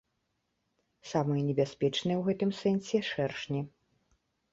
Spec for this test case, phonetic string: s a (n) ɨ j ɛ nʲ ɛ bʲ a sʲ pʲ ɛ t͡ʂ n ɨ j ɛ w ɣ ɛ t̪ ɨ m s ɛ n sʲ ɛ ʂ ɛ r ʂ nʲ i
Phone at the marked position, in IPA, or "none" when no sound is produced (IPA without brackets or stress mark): m